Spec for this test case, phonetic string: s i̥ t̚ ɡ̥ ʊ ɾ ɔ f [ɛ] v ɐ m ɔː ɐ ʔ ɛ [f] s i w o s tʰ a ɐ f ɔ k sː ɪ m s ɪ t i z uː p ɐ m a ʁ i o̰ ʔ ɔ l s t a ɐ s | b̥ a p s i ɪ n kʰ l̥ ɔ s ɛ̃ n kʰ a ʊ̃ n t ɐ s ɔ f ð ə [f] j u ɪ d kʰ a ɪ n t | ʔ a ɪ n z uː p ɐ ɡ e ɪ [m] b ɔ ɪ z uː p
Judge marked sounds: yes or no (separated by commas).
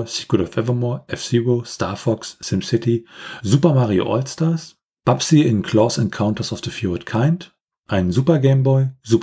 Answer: yes, yes, yes, yes